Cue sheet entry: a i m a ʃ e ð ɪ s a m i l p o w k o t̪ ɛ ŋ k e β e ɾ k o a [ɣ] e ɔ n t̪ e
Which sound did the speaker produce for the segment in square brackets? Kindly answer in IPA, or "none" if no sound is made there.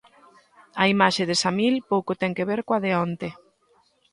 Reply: ð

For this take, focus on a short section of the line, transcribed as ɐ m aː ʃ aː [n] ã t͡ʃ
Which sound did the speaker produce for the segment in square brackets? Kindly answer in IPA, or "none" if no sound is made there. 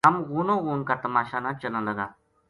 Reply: n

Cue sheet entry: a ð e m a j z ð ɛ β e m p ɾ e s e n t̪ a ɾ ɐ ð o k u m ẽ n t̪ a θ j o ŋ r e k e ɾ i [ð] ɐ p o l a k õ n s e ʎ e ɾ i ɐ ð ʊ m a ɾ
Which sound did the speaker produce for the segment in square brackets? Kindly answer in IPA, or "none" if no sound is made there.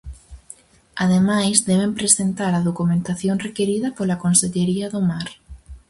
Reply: ð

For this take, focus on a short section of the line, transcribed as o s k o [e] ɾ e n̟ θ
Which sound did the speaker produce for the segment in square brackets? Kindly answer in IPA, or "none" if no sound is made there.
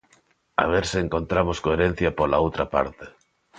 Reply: e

